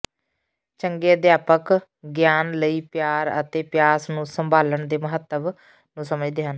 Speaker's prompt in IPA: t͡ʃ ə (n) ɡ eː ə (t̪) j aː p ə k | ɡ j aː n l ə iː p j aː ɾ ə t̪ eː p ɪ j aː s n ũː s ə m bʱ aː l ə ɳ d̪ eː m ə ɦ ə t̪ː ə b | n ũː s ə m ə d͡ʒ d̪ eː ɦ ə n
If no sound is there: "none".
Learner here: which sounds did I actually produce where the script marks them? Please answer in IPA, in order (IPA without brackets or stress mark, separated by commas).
ŋ, d̪